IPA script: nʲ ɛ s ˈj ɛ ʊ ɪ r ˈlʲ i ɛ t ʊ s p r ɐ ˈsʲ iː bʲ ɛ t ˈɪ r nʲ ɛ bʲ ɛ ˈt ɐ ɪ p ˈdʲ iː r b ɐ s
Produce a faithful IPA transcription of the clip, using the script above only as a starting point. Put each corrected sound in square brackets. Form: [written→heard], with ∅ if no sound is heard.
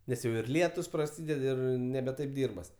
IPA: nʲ ɛ s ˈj ɛ ʊ ɪ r ˈlʲ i ɛ t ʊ s p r ɐ ˈsʲ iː [bʲ→dʲ] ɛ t ˈɪ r nʲ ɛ bʲ ɛ ˈt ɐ ɪ p ˈdʲ iː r b ɐ s

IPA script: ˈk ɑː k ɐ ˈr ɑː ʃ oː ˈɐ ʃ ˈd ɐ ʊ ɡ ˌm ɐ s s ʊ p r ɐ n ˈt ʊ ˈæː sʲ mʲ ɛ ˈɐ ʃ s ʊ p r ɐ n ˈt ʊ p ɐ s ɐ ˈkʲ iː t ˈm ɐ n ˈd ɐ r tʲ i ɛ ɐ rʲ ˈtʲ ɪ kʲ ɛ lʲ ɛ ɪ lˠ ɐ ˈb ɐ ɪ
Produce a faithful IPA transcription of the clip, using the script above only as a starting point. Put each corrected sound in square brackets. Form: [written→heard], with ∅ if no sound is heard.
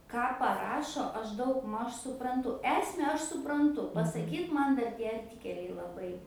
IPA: ˈk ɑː [k→p] ɐ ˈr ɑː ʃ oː ˈɐ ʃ ˈd ɐ ʊ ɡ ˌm ɐ [s→ʃ] s ʊ p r ɐ n ˈt ʊ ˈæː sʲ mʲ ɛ ˈɐ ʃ s ʊ p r ɐ n ˈt ʊ p ɐ s ɐ ˈkʲ iː t ˈm ɐ n ˈd ɐ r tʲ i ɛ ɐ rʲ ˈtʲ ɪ kʲ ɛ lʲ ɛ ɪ lˠ ɐ ˈb ɐ ɪ

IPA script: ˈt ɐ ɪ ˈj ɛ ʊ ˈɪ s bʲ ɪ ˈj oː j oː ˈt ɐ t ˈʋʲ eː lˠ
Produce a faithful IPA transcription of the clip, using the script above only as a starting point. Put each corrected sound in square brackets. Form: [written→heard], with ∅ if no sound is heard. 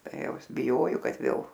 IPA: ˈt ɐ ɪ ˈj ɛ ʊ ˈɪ s bʲ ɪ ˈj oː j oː [ˈt→ˈk] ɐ t ˈʋʲ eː lˠ

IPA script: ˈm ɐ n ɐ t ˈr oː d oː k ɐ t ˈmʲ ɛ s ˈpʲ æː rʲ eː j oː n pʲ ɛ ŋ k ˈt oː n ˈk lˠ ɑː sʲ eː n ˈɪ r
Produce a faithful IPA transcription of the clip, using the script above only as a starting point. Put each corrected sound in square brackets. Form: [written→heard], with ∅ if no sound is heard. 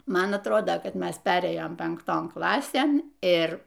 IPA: ˈm ɐ n ɐ t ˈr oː d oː k ɐ t ˈmʲ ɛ s ˈpʲ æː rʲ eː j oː [n→m] pʲ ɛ ŋ k ˈt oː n ˈk lˠ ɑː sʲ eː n ˈɪ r

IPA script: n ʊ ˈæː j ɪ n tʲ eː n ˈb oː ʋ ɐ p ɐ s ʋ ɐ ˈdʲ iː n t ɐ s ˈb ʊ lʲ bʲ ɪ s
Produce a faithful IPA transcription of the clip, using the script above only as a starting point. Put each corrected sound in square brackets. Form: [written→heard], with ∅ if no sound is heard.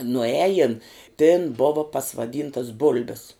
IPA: n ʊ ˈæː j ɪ n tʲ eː n ˈb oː ʋ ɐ p ɐ s ʋ ɐ ˈdʲ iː n t ɐ s ˈb ʊ lʲ bʲ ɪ s

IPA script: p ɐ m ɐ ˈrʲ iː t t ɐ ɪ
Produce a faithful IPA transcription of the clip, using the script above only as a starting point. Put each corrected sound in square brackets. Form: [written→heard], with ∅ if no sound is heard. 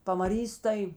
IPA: p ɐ m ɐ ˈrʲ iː [t→s] t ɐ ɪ

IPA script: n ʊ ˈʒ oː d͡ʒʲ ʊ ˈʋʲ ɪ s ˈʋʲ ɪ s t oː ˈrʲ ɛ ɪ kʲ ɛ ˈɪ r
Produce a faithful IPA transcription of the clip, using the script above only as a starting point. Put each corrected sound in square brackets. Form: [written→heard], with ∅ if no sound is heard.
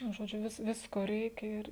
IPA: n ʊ ˈʒ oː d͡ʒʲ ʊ ˈʋʲ ɪ s ˈʋʲ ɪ s [t→k] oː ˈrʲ ɛ ɪ kʲ ɛ ˈɪ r

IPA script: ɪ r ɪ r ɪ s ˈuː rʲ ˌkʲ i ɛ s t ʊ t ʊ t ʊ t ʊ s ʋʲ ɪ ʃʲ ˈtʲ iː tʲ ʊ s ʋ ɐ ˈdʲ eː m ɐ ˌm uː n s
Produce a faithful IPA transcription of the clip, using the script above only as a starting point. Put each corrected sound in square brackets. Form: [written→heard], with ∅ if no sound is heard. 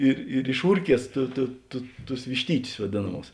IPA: ɪ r ɪ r ɪ [s→ʃ] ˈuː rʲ ˌkʲ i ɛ s t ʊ t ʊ t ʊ t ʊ s ʋʲ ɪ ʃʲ ˈtʲ iː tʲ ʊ s ʋ ɐ ˈdʲ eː [m→n] ɐ ˌm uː [n→∅] s

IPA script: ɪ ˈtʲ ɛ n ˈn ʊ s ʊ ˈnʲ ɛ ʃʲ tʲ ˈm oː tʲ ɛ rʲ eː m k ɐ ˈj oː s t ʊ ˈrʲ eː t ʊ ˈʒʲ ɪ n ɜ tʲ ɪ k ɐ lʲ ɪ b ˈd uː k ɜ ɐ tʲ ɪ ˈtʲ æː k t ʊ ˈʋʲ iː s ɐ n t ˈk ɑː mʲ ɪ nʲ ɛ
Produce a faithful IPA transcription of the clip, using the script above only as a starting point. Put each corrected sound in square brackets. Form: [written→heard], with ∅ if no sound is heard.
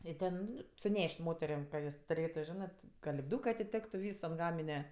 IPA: ɪ ˈtʲ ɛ n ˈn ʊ s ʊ ˈnʲ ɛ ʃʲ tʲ ˈm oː tʲ ɛ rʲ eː m k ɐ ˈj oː s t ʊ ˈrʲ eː t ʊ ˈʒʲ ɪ n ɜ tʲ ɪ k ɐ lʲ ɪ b ˈd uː k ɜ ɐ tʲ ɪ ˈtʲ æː k t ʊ ˈʋʲ iː s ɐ n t [ˈk→ˈɡ] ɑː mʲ ɪ nʲ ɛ

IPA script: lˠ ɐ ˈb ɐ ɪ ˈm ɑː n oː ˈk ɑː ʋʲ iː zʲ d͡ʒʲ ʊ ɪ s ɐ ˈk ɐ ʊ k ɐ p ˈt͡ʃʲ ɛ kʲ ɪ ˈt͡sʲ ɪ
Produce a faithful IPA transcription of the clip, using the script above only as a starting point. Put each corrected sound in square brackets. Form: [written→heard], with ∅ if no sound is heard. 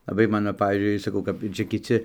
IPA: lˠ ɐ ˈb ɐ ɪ ˈm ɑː n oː [ˈk→ˈp] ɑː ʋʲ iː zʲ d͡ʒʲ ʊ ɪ s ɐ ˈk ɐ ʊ k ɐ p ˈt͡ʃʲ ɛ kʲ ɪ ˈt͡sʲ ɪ

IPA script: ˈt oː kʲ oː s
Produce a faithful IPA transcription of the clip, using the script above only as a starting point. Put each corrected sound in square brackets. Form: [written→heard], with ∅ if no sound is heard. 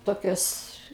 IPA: ˈt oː kʲ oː s

